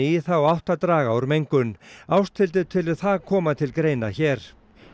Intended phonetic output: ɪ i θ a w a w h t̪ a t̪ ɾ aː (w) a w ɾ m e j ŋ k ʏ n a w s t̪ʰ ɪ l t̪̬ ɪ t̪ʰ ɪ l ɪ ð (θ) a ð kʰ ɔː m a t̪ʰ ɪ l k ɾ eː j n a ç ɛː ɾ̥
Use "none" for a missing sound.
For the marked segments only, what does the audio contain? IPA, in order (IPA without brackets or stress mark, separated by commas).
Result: ɣ, θ